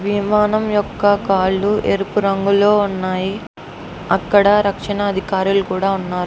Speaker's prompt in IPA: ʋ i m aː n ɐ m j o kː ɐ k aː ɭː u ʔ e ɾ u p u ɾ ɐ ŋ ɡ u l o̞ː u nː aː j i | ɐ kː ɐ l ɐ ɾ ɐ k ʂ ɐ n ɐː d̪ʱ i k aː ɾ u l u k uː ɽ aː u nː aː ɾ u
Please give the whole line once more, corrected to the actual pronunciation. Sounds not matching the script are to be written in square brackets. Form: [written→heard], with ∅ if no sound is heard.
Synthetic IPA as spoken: ʋ i m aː n ɐ m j [o→ɔ] kː ɐ k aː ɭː u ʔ e ɾ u p u ɾ ɐ ŋ ɡ u l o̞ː u nː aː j i | ɐ kː ɐ [l→ɽ] ɐ ɾ ɐ k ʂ ɐ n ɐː d̪ʱ i k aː ɾ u l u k uː ɽ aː u nː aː ɾ u